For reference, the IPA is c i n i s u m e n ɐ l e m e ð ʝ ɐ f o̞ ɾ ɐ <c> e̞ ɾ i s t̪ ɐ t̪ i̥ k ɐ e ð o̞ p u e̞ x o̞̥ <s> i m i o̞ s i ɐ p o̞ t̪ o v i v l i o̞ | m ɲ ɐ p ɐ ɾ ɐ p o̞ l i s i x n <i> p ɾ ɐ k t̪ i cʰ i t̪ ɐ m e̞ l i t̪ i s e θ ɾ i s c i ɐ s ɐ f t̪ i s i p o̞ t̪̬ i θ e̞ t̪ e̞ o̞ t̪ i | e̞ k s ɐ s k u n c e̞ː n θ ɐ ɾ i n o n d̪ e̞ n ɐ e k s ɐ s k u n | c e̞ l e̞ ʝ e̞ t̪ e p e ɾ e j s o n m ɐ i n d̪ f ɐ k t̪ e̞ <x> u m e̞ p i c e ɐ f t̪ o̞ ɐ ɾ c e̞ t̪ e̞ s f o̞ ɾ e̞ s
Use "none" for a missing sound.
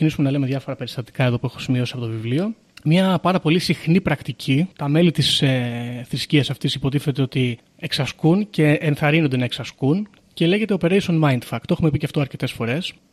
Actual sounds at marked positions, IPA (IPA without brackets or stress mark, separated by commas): p, s, i, x